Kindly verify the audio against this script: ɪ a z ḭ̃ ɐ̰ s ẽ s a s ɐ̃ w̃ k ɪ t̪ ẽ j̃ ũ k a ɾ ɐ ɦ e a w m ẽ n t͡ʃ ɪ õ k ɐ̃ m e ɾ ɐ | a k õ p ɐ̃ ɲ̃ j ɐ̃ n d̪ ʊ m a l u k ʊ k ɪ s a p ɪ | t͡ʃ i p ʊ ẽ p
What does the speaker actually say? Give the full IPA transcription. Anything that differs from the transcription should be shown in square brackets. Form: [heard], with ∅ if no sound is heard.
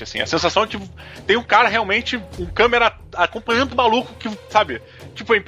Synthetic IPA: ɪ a [s] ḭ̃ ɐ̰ s ẽ s a s ɐ̃ w̃ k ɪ t̪ ẽ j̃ ũ k a ɾ ɐ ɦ e a w m ẽ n t͡ʃ ɪ [ũ] k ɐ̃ m e ɾ ɐ | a k õ p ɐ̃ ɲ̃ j ɐ̃ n d̪ ʊ m a l u k ʊ k ɪ s a [b] ɪ | t͡ʃ i p ʊ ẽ p